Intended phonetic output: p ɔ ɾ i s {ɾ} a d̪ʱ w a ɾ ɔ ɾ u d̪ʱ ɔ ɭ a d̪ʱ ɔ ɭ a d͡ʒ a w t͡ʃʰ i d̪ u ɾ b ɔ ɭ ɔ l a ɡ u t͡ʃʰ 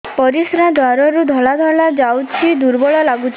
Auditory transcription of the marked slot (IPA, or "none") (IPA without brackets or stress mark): ɾ